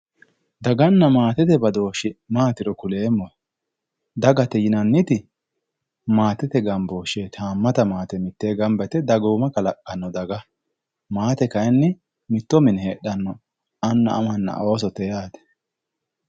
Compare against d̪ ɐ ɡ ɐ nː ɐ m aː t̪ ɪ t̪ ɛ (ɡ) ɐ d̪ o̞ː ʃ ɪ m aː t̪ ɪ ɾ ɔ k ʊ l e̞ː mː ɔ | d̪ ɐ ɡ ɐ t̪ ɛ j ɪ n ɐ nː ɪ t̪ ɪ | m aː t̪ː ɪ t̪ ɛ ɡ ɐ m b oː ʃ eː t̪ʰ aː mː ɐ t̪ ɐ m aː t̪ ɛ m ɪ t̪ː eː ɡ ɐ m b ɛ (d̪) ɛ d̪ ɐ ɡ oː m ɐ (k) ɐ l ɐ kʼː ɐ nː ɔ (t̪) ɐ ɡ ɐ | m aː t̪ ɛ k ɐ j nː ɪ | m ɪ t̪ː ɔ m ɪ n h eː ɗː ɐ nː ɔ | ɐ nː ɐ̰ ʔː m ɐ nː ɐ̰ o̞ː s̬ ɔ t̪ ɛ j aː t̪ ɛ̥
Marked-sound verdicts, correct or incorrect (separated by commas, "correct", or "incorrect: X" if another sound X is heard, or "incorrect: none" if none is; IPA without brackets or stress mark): incorrect: b, incorrect: t̪, correct, incorrect: d̪